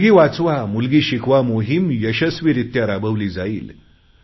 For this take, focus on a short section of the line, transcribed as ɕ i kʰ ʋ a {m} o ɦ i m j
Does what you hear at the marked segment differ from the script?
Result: no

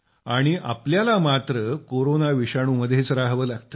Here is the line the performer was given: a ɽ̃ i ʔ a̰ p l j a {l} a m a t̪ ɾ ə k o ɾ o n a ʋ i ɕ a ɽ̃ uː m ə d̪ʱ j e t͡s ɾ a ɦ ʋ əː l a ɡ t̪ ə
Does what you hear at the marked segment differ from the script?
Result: no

